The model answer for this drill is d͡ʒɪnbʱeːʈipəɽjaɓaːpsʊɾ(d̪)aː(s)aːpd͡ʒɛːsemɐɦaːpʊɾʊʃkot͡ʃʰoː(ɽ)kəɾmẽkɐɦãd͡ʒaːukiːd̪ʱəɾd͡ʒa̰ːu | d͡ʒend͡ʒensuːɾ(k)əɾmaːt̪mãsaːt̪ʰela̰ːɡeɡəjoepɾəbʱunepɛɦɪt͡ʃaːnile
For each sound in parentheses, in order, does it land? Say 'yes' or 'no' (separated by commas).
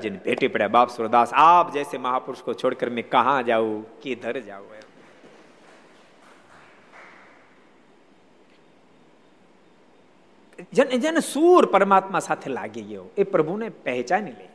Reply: yes, yes, yes, no